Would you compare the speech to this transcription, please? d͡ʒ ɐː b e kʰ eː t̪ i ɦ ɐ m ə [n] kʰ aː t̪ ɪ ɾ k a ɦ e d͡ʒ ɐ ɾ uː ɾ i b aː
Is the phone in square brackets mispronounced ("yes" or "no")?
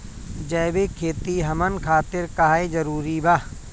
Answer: no